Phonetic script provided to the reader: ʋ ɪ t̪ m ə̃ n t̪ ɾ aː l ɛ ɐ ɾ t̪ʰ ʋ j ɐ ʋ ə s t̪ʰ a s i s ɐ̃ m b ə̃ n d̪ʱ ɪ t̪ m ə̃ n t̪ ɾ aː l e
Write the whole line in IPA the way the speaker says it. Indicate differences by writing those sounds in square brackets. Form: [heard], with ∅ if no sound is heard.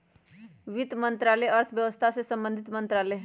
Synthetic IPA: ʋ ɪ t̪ m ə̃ n t̪ ɾ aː l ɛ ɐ ɾ t̪ʰ ʋ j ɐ ʋ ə s t̪ʰ a s [e] s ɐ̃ m b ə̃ n d̪ʱ ɪ t̪ m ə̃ n t̪ ɾ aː l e